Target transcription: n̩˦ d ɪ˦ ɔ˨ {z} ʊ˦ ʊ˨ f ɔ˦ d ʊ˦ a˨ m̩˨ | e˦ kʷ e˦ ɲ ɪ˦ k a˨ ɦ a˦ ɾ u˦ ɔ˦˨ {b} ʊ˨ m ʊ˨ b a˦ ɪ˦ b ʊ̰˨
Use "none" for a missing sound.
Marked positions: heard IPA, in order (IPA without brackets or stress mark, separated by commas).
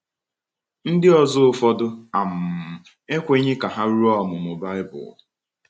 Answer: z, m